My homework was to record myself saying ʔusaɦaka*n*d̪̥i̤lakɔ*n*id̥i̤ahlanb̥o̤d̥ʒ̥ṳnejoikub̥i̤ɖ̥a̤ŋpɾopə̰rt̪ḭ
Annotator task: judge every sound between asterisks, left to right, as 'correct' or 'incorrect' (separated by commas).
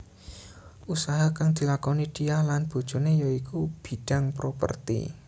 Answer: incorrect, correct